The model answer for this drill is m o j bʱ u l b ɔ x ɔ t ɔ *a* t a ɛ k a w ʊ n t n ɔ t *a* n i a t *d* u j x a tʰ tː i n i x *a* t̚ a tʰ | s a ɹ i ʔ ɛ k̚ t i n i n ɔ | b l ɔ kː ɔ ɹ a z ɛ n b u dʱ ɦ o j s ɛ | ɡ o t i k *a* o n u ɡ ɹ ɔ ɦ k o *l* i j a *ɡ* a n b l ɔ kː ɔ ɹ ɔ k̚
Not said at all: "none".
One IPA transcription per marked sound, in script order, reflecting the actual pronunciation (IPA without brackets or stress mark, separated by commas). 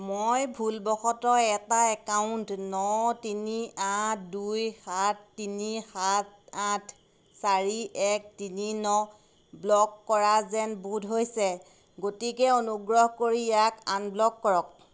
ɛ, i, d, a, ɛ, ɹ, k